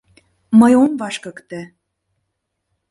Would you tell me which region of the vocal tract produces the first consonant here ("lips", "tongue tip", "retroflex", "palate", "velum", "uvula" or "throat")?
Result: lips